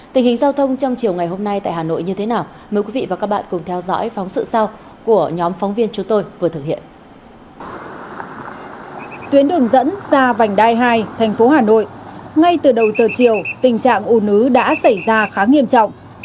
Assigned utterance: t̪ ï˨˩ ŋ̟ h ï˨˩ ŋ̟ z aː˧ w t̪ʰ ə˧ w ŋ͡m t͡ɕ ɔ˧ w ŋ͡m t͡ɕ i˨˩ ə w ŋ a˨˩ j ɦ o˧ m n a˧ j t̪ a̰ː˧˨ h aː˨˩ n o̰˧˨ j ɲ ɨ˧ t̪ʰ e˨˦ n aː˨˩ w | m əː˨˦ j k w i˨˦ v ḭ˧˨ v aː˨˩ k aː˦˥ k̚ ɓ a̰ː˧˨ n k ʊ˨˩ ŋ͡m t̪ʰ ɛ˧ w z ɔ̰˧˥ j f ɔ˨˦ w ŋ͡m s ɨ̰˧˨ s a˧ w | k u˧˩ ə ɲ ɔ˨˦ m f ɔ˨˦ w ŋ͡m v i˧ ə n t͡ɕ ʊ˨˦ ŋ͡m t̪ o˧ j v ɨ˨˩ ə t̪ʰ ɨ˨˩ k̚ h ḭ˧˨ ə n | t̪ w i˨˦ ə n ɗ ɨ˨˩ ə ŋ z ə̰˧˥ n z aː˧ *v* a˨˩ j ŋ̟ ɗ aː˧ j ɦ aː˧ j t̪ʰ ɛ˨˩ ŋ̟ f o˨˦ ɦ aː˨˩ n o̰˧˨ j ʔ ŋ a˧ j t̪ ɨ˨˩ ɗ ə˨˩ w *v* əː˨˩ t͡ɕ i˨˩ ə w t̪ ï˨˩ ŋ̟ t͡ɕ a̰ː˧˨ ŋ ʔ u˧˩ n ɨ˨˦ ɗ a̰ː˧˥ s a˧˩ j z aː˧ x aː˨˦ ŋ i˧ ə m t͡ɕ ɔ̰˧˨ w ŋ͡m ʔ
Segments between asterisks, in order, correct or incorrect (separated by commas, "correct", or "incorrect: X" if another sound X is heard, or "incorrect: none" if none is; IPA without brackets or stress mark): correct, incorrect: z